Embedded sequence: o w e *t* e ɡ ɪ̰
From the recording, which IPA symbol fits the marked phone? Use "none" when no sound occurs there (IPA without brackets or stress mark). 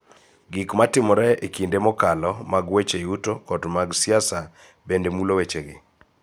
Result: t͡ʃ